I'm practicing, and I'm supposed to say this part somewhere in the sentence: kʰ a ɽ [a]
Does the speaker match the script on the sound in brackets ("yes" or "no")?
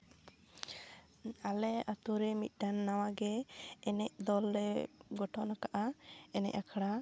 yes